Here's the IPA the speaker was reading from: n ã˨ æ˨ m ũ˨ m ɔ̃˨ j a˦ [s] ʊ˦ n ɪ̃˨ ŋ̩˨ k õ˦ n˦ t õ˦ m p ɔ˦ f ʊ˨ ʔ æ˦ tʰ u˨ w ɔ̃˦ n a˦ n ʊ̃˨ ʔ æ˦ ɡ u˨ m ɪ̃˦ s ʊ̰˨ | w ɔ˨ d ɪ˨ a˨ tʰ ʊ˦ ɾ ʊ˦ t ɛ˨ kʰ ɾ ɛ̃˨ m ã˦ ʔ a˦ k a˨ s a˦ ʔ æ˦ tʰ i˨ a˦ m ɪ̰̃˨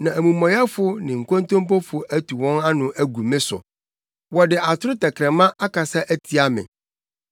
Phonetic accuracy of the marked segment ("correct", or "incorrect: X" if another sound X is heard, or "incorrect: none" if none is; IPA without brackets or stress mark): incorrect: f